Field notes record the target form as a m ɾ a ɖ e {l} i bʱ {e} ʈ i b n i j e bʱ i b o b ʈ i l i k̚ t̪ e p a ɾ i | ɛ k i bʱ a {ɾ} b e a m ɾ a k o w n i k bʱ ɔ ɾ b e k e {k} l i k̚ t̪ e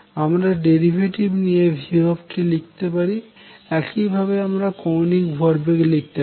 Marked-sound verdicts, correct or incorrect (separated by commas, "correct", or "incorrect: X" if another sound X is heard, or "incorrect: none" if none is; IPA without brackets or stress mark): incorrect: ɾ, correct, incorrect: none, incorrect: none